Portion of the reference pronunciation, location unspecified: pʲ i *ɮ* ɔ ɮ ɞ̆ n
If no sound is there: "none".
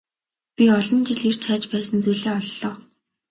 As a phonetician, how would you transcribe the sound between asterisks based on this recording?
none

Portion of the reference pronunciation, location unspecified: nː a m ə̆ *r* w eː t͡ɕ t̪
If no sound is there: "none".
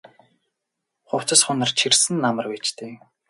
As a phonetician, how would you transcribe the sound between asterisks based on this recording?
r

